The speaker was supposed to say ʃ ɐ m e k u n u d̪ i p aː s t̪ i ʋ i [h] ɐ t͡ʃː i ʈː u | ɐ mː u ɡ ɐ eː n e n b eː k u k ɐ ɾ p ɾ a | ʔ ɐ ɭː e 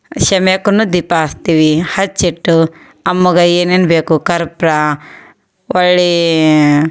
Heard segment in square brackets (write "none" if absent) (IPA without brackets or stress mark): h